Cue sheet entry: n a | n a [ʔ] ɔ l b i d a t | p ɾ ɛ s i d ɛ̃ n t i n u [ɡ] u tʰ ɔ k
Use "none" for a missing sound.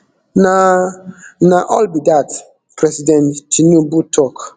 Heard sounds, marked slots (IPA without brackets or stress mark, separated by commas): ʔ, b